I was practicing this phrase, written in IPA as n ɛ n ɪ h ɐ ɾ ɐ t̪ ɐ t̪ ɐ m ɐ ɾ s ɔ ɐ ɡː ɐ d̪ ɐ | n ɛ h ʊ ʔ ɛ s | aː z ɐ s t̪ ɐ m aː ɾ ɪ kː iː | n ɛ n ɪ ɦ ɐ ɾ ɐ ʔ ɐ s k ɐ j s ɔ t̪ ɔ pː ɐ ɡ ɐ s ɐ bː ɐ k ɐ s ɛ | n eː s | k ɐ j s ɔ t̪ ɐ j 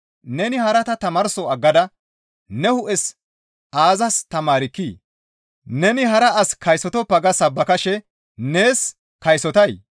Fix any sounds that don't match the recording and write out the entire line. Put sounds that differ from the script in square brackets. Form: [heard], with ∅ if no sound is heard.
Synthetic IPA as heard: n ɛ n ɪ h ɐ ɾ ɐ t̪ ɐ t̪ ɐ m ɐ ɾ s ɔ ɐ ɡː ɐ d̪ ɐ | n ɛ h ʊ ʔ ɛ s | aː z ɐ s t̪ ɐ m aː ɾ ɪ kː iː | n ɛ n ɪ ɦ ɐ ɾ ɐ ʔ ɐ s k ɐ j s ɔ t̪ ɔ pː ɐ ɡ ɐ s ɐ bː ɐ k ɐ [ʃ] ɛ | n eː s | k ɐ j s ɔ t̪ ɐ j